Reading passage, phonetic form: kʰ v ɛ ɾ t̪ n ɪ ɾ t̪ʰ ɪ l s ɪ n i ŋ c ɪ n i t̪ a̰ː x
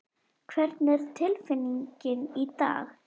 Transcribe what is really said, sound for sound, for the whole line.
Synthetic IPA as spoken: kʰ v ɛ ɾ t̪ n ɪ ɾ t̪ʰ ɪ l f ɪ n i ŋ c ɪ n i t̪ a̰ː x